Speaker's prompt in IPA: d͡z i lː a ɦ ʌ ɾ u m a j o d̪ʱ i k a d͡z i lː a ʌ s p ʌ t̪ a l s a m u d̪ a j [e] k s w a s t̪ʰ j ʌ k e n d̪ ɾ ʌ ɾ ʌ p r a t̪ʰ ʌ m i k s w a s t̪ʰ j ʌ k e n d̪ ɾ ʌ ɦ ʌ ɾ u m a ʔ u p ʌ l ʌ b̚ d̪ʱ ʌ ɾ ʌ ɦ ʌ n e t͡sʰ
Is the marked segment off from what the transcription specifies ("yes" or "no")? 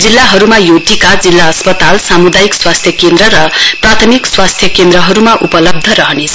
yes